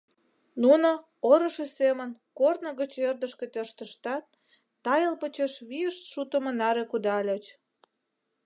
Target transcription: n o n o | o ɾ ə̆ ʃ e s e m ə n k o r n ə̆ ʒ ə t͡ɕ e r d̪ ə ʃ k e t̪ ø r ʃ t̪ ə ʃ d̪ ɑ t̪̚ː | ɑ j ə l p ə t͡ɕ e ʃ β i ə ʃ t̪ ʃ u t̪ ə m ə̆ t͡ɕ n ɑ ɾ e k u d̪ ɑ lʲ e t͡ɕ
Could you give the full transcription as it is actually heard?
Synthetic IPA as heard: n u n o | o ɾ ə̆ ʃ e s e m ə n k o r n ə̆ ɣ ə t͡ɕ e r d̪ ə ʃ k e t̪ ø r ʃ t̪ ə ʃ t̪ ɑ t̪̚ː | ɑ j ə l p ə t͡ɕ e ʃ β i ə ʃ t̪ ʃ u t̪ ə m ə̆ n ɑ ɾ e k u d̪ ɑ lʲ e t͡ɕ